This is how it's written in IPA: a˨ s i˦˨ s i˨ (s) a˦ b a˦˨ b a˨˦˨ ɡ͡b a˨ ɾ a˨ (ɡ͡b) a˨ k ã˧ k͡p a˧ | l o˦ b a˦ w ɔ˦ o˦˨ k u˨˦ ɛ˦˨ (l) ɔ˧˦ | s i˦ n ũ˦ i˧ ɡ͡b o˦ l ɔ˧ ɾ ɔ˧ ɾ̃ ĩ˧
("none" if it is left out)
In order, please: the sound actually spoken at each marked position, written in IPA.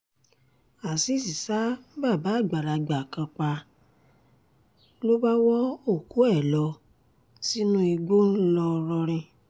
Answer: s, ɡ͡b, l

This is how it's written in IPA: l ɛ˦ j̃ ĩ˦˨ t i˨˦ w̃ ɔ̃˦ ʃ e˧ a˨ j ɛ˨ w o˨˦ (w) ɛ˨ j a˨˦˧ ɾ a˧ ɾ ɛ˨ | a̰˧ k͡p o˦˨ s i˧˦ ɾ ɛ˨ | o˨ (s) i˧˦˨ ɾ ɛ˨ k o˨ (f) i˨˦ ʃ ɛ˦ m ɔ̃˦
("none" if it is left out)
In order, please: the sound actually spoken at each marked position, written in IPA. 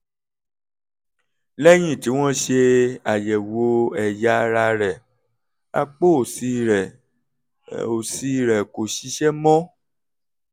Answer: none, s, ʃ

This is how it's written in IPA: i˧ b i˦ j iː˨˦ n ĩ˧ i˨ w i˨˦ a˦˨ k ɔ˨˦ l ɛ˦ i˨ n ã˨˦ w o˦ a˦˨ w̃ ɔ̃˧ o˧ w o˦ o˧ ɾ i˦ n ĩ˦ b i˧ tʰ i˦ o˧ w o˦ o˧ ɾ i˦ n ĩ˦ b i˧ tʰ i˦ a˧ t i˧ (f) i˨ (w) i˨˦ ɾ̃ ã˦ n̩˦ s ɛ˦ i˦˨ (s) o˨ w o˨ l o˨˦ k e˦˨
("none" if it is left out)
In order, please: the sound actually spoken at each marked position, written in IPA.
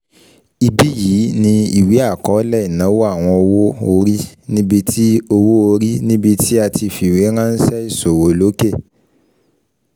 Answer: f, w, s

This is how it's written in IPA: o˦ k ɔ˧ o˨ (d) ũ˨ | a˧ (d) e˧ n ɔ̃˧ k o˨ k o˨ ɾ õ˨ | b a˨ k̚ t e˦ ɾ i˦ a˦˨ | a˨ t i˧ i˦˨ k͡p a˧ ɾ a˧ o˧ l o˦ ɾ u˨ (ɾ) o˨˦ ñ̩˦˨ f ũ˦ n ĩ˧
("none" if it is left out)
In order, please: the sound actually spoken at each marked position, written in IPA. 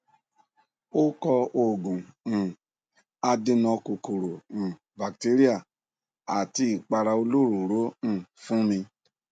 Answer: ɡ, d, ɾ

